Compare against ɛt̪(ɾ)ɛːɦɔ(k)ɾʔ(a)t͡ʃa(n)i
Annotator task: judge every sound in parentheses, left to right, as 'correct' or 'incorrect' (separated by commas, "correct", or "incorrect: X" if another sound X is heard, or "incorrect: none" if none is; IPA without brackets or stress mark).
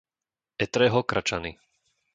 correct, correct, correct, correct